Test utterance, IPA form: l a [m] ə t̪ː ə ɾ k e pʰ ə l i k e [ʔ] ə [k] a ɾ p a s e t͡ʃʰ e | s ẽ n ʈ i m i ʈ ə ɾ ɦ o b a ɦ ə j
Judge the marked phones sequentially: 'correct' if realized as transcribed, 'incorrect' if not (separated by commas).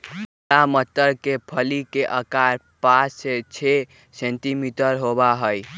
correct, correct, correct